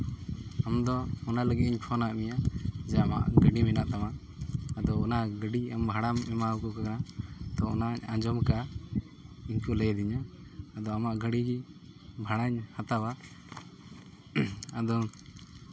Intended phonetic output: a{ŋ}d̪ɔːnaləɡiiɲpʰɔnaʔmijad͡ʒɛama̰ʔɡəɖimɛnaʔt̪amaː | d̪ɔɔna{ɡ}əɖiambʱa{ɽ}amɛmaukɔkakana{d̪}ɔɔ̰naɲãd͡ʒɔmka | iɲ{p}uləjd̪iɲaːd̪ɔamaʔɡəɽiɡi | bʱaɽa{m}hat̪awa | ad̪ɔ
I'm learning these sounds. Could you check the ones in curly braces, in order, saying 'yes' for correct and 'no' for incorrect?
no, yes, yes, no, no, no

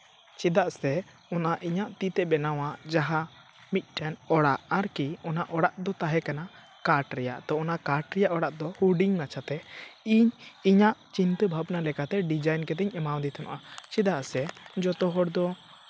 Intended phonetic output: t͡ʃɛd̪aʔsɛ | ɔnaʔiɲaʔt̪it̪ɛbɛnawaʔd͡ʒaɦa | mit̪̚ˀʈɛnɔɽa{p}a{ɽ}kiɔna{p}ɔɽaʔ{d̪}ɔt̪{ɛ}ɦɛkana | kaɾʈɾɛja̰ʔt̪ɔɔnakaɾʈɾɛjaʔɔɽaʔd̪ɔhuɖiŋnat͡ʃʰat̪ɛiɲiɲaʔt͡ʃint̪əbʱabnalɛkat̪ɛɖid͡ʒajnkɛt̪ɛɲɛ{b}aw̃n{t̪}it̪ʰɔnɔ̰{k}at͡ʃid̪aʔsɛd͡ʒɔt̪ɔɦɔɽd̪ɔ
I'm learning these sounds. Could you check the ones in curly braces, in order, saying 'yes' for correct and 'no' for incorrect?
no, no, no, yes, no, no, no, no

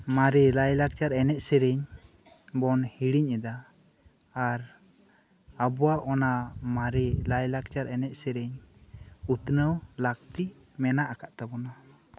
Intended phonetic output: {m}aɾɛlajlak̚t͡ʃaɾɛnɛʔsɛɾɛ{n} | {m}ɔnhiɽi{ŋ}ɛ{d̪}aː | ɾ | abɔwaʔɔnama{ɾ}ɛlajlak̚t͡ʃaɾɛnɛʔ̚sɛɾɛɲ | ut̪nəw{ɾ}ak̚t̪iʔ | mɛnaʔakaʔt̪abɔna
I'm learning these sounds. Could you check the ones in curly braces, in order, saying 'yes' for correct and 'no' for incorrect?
yes, no, no, no, yes, yes, no

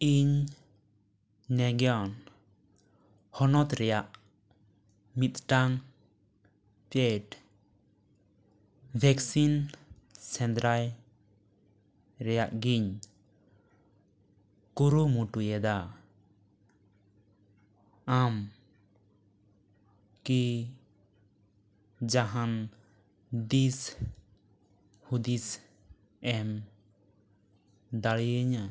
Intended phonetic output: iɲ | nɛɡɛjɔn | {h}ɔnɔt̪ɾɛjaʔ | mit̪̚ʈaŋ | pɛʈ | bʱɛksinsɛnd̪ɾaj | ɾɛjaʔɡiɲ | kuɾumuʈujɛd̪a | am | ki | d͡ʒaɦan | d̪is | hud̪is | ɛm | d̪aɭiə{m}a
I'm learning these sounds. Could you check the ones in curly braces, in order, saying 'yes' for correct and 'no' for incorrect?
yes, no

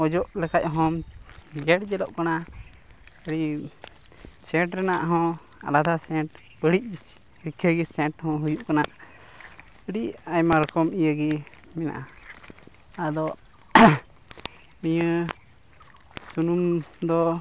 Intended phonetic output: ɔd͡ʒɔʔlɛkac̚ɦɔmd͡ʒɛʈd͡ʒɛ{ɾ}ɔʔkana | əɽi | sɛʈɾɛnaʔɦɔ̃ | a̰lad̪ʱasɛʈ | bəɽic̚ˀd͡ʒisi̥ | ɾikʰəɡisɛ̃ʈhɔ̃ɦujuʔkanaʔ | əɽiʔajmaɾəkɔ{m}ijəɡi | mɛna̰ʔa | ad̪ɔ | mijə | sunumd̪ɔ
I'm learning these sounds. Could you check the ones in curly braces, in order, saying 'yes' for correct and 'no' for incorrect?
no, yes

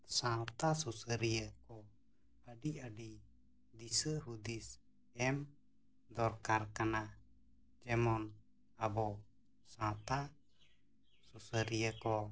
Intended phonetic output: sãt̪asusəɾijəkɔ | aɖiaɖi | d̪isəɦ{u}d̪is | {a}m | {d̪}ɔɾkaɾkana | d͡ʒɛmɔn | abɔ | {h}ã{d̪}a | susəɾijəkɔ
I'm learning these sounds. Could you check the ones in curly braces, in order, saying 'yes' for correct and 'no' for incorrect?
yes, no, yes, no, no

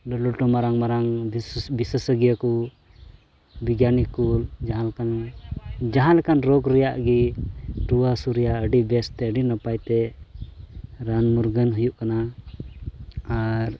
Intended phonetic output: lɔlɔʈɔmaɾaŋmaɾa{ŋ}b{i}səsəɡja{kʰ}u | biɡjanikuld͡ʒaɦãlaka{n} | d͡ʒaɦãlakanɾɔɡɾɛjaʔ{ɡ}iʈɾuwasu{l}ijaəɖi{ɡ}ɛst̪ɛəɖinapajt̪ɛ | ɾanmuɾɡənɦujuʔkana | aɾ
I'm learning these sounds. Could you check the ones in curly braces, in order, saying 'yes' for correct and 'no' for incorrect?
yes, yes, no, yes, yes, no, no

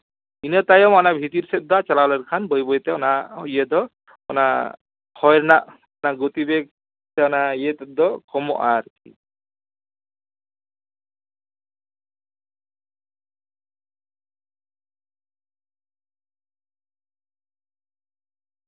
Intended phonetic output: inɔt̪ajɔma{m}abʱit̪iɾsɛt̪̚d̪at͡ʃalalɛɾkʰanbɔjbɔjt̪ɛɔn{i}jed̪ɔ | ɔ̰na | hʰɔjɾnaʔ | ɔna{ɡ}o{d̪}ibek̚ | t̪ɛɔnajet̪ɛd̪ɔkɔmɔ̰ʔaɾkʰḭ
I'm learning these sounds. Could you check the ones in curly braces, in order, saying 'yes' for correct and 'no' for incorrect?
no, no, yes, no

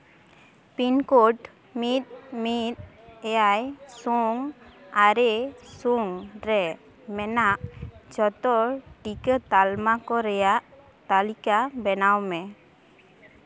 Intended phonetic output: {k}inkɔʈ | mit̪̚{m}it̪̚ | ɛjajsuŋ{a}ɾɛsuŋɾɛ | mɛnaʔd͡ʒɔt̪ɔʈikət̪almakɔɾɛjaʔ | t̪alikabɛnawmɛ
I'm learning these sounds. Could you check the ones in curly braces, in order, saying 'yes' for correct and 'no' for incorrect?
no, yes, yes

